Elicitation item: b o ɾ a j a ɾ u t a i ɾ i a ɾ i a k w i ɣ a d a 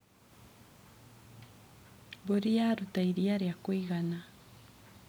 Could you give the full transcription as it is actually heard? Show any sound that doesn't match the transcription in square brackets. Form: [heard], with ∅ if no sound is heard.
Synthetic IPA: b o ɾ [i] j a ɾ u t a i ɾ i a ɾ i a k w i ɣ a [n] a